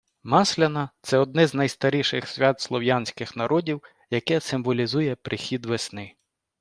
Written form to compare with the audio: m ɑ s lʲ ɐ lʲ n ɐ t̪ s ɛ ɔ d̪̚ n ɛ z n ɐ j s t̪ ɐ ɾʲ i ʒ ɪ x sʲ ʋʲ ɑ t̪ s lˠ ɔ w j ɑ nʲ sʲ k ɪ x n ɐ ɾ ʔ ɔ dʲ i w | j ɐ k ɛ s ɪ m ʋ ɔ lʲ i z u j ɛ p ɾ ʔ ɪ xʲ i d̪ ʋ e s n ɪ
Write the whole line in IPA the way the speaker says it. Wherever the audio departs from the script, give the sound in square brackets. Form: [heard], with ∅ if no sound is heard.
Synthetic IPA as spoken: m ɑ s lʲ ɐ [∅] n ɐ t̪ s ɛ ɔ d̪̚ n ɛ z n ɐ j s t̪ ɐ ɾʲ i [ʃ] ɪ x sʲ ʋʲ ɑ t̪ s lˠ ɔ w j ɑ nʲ sʲ k ɪ x n ɐ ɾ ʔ ɔ dʲ i w | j ɐ k ɛ s ɪ m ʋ ɔ lʲ i z u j ɛ p ɾ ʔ ɪ xʲ i d̪ ʋ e s n ɪ